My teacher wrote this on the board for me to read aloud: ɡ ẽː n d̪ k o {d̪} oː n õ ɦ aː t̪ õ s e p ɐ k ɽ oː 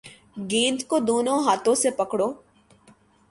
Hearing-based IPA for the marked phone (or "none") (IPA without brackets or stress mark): d̪